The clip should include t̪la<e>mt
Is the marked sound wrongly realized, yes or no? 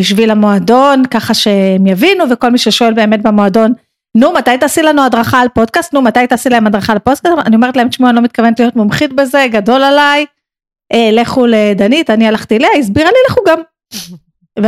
no